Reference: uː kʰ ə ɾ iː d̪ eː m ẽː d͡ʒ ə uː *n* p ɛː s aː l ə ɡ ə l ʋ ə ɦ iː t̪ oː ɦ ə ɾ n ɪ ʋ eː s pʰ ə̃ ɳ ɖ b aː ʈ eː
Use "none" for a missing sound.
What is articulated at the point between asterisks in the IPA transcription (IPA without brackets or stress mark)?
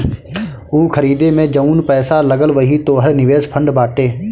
n